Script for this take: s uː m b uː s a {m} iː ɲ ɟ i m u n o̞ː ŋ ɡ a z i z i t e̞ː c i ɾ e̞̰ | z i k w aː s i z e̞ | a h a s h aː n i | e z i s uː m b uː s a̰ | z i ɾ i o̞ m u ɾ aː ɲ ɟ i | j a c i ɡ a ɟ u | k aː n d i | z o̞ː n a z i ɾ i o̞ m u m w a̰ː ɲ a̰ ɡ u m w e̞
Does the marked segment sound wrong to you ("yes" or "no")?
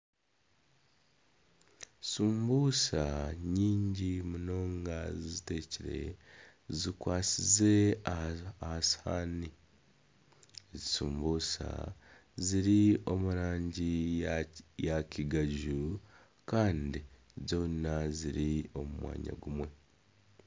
yes